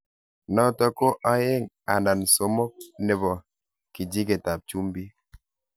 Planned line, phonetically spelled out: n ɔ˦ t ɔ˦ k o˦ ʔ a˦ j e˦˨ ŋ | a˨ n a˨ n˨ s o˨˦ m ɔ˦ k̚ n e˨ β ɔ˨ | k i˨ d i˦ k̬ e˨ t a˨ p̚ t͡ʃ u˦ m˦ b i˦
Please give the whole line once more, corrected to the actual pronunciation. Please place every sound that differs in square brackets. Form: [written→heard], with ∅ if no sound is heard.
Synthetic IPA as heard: n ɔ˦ t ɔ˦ k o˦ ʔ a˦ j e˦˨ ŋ | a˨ n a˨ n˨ s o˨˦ m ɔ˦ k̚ n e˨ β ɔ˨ | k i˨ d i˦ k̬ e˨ t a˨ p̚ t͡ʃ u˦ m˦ b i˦